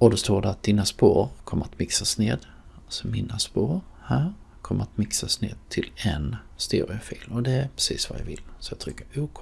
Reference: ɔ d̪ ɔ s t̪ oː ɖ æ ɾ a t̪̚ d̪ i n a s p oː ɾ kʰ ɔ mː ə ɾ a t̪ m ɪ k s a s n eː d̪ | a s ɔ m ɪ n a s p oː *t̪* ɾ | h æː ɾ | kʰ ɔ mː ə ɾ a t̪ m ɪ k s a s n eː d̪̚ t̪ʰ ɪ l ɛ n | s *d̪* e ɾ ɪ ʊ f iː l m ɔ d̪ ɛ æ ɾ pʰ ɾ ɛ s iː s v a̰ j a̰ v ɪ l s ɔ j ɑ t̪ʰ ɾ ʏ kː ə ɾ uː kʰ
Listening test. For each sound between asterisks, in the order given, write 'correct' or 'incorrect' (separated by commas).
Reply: incorrect, incorrect